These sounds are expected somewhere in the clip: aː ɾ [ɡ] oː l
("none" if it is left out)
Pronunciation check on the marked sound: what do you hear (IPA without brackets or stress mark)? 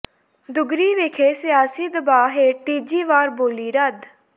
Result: b